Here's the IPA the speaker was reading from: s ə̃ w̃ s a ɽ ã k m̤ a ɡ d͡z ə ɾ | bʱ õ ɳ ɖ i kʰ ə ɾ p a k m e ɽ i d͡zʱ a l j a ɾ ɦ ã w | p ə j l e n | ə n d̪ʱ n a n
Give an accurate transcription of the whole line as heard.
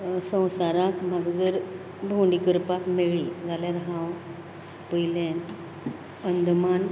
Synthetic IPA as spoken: s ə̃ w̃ s a ɾ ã k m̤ a ɡ d͡z ə ɾ | bʱ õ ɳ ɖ i k ə ɾ p a k m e ɭ i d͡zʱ a l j a ɾ ɦ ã w | p ə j l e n | ə n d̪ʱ m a n